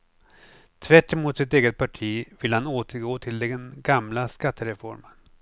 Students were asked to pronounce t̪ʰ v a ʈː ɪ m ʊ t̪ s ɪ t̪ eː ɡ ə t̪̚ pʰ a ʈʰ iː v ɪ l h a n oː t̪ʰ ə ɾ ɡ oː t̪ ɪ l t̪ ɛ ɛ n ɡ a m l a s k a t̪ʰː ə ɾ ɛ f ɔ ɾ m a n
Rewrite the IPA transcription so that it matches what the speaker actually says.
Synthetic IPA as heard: t̪ʰ v æ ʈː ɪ m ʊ t̪ s ɪ t̪ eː ɡ ə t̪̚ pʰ a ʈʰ iː v ɪ l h a n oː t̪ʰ ə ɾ ɡ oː t̪ʰ ɪ l d̪ ɛ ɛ n ɡ a m l a s k a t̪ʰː ə ɾ ɛ f ɔ ɾ m ə n